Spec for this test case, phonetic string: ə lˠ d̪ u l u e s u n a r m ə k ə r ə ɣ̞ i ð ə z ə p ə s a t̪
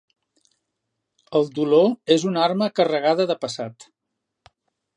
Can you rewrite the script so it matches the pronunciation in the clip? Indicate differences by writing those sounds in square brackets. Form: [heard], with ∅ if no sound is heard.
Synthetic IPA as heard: ə lˠ d̪ u l [o] e [z] u n a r m ə k ə r ə ɣ̞ [a] ð ə [ð] ə p ə s a t̪